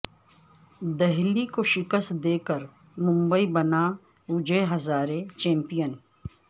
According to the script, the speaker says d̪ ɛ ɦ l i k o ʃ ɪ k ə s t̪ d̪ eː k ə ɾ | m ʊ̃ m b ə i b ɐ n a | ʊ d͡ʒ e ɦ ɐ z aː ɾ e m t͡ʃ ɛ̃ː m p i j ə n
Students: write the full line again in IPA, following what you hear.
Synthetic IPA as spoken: d̪ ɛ ɦ l i k o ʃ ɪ k ə s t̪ d̪ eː k ə ɾ | m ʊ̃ m b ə i b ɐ n a | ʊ d͡ʒ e ɦ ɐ z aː ɾ e t͡ʃ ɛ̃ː m p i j ə n